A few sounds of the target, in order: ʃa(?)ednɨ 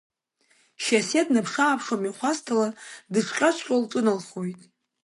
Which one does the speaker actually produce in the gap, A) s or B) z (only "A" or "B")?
A